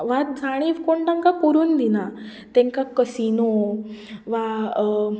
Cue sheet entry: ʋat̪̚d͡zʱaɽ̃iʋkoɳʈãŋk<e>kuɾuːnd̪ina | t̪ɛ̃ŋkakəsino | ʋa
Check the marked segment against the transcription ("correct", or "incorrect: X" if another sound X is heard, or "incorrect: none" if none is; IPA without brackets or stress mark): incorrect: a